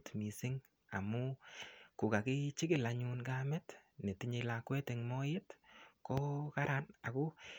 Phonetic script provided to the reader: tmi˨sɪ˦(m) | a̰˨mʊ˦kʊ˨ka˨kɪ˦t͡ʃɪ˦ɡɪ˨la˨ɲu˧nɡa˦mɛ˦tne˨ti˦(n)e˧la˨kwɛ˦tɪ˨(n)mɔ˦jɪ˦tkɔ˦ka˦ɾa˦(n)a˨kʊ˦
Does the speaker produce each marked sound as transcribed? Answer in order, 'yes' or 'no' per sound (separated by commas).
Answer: no, no, no, yes